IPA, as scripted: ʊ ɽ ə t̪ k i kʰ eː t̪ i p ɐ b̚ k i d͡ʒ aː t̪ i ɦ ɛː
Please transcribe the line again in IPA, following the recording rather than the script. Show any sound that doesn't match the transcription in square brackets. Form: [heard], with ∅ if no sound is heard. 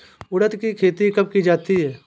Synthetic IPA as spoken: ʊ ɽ ə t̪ k i kʰ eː t̪ i [k] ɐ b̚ k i d͡ʒ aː t̪ i ɦ ɛː